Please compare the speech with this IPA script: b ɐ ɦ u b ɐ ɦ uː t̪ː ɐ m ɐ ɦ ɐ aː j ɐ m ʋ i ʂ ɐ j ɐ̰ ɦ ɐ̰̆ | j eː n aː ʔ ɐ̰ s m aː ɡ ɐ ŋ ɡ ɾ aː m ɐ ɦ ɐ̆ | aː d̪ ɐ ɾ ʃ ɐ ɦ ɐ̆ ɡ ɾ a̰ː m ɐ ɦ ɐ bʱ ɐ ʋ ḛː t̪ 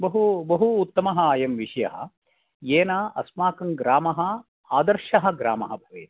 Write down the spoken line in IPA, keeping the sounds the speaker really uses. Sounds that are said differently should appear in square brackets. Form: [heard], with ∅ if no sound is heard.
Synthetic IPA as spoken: b ɐ ɦ u b ɐ ɦ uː t̪ː ɐ m ɐ ɦ ɐ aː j ɐ m ʋ i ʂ ɐ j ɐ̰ ɦ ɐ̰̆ | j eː n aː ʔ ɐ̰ s m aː [k] ɐ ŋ ɡ ɾ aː m ɐ ɦ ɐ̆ | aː d̪ ɐ ɾ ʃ ɐ ɦ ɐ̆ ɡ ɾ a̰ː m ɐ ɦ ɐ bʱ ɐ ʋ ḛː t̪